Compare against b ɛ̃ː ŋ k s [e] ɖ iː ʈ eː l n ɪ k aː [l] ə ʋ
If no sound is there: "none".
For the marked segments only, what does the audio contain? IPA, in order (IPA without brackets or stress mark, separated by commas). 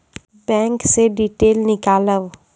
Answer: e, l